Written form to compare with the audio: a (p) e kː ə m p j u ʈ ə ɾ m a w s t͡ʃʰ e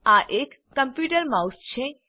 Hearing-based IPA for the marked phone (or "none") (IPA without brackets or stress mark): ʔ